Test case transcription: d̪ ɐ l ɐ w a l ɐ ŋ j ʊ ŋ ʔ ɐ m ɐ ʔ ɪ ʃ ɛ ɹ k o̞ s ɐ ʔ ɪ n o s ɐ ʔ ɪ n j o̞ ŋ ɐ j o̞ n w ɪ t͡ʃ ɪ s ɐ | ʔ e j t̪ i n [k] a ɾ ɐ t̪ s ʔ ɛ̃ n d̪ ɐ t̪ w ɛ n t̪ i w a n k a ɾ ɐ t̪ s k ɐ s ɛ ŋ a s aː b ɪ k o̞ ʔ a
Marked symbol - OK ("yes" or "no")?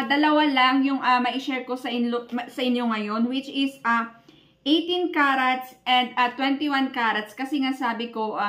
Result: yes